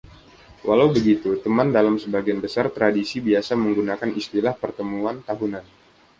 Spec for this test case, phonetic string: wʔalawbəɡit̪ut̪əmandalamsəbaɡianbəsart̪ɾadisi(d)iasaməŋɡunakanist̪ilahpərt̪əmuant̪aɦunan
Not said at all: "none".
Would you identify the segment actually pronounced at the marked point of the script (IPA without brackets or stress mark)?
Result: b